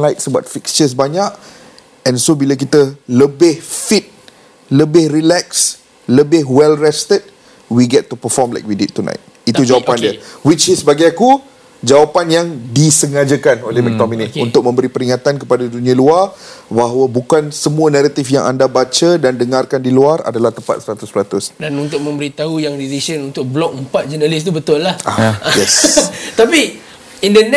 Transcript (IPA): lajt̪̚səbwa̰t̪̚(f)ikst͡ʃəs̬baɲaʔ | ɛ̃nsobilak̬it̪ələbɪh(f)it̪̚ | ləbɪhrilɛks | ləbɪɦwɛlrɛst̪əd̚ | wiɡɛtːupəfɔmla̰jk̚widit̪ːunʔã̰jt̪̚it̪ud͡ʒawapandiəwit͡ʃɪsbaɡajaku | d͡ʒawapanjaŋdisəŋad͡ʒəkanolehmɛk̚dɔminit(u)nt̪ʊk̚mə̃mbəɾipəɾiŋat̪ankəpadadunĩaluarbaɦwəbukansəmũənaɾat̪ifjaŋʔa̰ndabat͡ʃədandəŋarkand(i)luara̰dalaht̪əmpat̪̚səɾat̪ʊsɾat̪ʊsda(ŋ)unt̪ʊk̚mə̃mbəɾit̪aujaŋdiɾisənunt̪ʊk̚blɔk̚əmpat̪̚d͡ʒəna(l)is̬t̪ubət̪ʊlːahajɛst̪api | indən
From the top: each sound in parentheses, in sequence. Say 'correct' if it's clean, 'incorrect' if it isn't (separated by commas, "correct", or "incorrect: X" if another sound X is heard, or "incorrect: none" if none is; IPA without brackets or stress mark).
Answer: correct, correct, correct, correct, incorrect: n, correct